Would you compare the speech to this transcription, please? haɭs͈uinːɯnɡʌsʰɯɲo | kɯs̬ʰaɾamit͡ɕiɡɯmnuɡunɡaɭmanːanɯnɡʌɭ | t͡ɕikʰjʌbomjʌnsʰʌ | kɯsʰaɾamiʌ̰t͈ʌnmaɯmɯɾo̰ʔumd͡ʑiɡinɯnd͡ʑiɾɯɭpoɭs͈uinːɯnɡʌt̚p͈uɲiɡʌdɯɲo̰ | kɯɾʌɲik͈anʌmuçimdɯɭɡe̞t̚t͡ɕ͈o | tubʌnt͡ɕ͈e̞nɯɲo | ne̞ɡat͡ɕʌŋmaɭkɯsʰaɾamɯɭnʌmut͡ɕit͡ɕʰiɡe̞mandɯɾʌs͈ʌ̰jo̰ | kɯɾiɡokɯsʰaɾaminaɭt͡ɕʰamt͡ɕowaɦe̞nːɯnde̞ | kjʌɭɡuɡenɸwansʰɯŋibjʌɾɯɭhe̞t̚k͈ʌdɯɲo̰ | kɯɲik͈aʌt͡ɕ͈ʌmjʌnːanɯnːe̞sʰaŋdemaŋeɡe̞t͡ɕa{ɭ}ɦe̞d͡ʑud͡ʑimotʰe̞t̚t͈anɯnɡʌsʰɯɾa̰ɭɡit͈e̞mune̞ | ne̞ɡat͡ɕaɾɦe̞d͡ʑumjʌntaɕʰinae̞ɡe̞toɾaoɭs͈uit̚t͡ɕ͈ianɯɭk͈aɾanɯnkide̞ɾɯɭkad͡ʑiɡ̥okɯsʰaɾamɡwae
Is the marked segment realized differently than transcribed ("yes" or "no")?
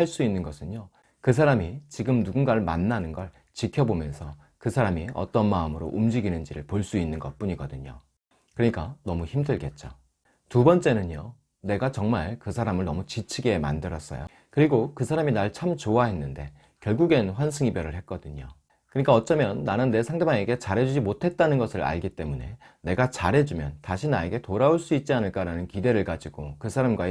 yes